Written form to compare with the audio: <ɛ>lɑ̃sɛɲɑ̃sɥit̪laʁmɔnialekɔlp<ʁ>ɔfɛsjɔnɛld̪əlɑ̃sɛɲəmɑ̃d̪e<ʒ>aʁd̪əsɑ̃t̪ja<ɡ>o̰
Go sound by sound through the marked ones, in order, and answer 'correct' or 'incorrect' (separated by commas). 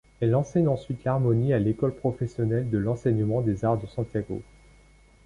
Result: correct, incorrect, incorrect, correct